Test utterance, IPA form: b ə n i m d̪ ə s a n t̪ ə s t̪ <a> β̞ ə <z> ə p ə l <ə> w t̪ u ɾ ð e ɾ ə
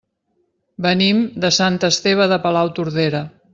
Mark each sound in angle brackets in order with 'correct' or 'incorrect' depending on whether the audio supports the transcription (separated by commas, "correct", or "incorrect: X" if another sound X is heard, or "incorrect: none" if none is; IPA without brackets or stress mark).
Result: incorrect: e, incorrect: ð, incorrect: a